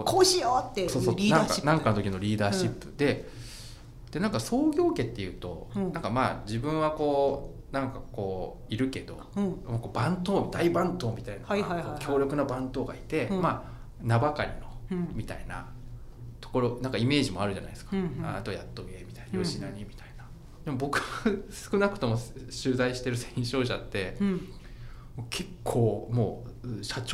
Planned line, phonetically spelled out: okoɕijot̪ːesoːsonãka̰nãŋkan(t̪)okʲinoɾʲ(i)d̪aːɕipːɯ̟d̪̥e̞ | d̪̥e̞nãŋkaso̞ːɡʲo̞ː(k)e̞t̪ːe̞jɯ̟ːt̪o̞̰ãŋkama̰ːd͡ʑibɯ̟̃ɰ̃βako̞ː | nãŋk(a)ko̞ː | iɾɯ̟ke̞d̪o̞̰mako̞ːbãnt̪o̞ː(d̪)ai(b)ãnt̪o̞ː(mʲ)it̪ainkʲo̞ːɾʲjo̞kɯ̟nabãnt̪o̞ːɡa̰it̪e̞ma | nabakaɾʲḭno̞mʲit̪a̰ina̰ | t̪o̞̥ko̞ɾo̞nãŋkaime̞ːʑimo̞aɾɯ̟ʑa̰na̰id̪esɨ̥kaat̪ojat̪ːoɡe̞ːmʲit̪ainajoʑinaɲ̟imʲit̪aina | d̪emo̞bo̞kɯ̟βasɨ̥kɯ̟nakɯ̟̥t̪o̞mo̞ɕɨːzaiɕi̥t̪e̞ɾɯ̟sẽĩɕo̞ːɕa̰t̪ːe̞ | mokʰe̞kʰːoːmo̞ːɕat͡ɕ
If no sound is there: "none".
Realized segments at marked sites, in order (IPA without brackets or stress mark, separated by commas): t̪, iː, k, a, d̪, b, mʲ